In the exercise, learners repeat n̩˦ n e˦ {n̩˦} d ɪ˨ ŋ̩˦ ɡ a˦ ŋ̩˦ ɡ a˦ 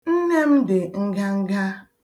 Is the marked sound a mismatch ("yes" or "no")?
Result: yes